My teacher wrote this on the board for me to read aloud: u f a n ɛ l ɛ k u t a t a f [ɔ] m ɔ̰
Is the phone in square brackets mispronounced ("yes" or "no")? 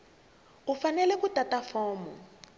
yes